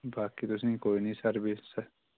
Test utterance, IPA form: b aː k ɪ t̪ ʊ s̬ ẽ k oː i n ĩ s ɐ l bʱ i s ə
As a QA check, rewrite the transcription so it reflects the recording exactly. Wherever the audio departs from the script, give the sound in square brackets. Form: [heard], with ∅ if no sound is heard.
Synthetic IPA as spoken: b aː k [i] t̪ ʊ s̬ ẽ k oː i n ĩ s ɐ [ɾ] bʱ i s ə